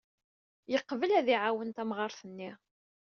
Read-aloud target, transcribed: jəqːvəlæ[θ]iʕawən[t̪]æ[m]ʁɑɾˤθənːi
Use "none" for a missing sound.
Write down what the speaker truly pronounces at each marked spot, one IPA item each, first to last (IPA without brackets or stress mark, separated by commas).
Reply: ð, t̪, m